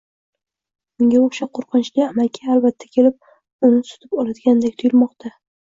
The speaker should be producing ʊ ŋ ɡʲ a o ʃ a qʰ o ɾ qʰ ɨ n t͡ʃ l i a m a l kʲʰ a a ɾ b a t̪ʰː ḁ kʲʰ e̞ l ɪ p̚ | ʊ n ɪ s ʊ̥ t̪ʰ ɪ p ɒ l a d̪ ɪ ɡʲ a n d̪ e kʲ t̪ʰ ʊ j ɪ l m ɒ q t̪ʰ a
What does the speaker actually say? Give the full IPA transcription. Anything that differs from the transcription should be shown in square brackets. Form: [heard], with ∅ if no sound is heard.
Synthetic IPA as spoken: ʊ ŋ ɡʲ a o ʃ a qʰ o ɾ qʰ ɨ n t͡ʃ l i a m a l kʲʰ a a [l] b a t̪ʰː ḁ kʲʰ e̞ l ɪ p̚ | ʊ n ɪ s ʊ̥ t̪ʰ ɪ p ɒ l a d̪ ɪ ɡʲ a n d̪ e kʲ t̪ʰ ʊ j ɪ l m ɒ q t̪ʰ a